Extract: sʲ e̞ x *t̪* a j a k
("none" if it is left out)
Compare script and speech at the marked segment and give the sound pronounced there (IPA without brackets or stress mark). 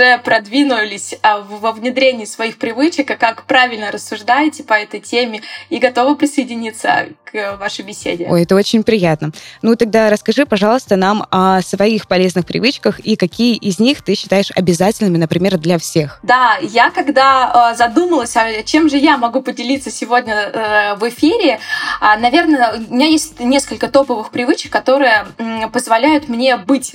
d̪